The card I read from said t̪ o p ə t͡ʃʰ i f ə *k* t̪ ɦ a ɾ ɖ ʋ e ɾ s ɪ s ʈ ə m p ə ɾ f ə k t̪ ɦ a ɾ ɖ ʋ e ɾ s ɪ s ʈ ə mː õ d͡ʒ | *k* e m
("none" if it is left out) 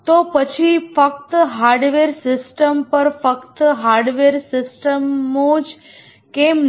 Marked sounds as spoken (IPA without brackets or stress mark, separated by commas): k, k